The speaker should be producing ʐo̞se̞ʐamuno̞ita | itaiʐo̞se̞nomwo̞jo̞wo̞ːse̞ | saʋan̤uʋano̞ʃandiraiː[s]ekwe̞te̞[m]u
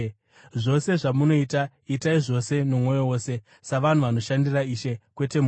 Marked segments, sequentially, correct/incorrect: incorrect, correct

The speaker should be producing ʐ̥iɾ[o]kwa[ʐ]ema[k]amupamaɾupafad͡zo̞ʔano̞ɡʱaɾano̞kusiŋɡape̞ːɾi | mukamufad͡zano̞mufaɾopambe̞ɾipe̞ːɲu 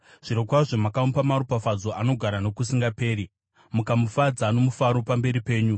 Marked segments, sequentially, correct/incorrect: correct, correct, correct

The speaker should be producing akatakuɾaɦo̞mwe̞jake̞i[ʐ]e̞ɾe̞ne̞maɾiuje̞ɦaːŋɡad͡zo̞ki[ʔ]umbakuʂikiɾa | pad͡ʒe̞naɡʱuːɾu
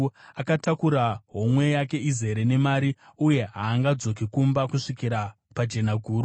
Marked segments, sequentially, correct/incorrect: incorrect, incorrect

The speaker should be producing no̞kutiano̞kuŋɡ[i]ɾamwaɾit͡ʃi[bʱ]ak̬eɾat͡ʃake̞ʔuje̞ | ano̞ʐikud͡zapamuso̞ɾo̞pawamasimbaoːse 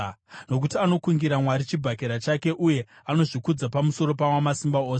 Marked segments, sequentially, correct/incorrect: correct, correct

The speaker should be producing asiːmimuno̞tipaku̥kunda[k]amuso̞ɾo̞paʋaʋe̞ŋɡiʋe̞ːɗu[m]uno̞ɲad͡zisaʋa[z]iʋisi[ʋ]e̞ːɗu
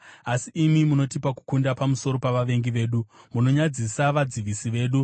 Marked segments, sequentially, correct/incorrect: incorrect, correct, incorrect, correct

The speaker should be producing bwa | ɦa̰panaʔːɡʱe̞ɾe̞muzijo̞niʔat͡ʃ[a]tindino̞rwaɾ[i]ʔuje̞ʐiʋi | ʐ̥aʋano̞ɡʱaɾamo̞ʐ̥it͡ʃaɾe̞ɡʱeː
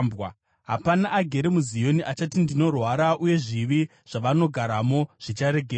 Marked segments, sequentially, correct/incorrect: correct, incorrect

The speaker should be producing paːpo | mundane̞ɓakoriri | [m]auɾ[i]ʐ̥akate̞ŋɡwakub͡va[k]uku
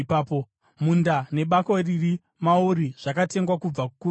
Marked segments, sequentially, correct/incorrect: correct, correct, correct

